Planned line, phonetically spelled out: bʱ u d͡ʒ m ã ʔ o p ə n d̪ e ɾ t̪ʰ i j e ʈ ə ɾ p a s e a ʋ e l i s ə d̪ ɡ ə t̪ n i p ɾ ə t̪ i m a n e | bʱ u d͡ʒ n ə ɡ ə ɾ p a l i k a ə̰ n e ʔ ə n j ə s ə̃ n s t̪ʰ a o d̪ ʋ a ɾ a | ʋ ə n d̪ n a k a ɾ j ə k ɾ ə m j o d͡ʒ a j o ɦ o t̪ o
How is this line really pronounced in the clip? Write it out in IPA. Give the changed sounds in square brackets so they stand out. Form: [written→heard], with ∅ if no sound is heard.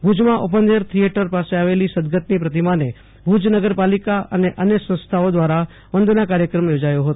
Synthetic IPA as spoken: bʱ u d͡ʒ m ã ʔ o p ə n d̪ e ɾ t̪ʰ i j e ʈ ə ɾ p a s e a ʋ e l i s ə d̪ ɡ ə t̪ n i p ɾ ə t̪ i m a n e | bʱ u d͡ʒ n ə ɡ ə ɾ p a l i k a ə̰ n e ʔ ə n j ə s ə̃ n s t̪ʰ a o d̪ ʋ a ɾ a | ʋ ə n d̪ n a k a ɾ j ə k ɾ ə m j o d͡ʒ a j o ɦ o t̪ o